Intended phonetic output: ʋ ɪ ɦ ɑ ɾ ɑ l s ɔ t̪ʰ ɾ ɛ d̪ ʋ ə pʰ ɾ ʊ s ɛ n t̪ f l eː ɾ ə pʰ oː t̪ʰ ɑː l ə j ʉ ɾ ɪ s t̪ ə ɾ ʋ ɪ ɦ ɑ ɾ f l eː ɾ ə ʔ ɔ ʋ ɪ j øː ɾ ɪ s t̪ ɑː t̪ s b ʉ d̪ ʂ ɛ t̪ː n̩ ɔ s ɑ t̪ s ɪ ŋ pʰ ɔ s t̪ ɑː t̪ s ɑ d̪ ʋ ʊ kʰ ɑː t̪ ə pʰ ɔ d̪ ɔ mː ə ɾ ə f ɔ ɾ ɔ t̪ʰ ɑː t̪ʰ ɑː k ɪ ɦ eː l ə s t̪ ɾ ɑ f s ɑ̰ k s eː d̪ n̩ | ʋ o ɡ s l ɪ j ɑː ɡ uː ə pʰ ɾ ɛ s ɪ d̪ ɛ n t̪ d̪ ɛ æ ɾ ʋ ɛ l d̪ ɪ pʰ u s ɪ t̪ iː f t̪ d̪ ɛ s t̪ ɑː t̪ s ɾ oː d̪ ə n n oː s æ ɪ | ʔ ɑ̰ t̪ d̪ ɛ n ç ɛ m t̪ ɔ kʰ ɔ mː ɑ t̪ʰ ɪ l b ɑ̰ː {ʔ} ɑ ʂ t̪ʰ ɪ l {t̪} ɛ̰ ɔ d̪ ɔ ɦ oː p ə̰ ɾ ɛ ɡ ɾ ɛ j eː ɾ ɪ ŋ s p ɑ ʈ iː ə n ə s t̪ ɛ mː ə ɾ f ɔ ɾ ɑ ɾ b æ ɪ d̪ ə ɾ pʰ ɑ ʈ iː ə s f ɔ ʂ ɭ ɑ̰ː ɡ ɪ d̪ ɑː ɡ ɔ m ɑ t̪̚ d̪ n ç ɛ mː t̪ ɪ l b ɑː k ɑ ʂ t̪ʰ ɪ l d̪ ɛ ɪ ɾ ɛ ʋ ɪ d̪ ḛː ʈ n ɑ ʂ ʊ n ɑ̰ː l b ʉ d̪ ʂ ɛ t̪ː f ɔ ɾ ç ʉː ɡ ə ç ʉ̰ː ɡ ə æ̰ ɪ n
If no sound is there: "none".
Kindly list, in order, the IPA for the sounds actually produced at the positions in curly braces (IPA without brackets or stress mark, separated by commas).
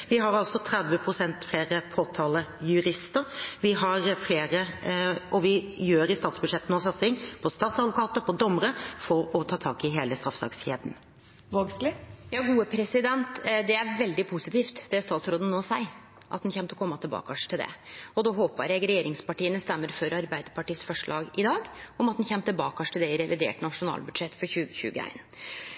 k, d̪